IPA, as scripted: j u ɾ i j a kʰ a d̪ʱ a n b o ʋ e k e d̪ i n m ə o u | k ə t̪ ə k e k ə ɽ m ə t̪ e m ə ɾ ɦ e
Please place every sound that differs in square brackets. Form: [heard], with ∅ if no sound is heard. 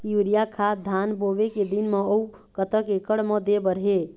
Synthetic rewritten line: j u ɾ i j a kʰ a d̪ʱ a n b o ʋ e k e d̪ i n m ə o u | k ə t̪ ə k e k ə ɽ m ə [d̪] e [b] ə ɾ ɦ e